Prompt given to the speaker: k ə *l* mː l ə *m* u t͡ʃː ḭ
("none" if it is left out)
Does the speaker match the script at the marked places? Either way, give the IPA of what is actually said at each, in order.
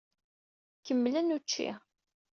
none, n

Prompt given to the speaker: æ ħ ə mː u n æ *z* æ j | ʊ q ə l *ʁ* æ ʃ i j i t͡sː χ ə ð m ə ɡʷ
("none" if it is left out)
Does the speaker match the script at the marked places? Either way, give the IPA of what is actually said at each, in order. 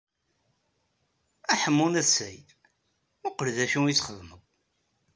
s, ð

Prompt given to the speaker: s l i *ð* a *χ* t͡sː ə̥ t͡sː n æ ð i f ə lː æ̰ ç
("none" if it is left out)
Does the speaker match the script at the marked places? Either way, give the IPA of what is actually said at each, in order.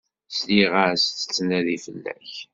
ʁ, s

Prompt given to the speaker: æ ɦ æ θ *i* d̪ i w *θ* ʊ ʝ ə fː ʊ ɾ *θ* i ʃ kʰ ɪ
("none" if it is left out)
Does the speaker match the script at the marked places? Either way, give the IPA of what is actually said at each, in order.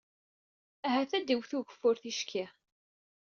æ, θ, θ

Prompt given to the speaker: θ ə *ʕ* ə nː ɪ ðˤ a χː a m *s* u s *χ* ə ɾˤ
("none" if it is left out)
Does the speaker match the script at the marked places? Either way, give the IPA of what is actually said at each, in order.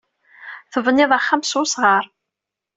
v, s, ʁ

